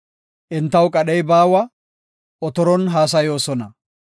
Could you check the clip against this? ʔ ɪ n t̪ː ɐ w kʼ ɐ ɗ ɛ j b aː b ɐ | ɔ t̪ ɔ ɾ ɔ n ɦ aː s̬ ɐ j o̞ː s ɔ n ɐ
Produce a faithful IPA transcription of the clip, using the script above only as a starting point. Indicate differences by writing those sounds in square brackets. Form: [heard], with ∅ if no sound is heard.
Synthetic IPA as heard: ʔ ɪ n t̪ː ɐ w kʼ ɐ ɗ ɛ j b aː [w] ɐ | ɔ t̪ ɔ ɾ ɔ n ɦ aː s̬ ɐ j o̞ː s ɔ n ɐ